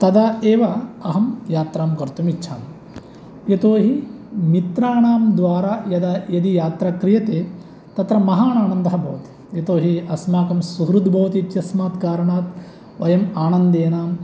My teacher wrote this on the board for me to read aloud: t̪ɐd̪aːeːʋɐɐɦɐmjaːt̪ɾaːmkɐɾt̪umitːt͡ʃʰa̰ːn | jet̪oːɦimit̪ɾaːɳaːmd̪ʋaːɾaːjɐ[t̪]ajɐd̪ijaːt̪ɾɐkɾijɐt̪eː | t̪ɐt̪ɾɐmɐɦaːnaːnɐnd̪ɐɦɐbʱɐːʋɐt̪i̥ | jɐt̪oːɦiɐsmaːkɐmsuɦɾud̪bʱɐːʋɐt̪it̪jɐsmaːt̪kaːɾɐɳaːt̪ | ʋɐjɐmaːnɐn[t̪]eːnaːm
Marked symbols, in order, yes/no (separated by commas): no, no